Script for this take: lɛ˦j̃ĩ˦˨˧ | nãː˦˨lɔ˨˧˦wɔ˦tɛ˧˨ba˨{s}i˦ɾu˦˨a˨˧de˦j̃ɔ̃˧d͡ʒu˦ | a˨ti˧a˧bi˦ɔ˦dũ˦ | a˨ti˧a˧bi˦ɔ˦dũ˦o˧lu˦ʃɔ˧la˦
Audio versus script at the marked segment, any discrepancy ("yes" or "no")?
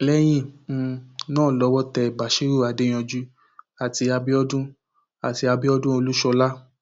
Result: yes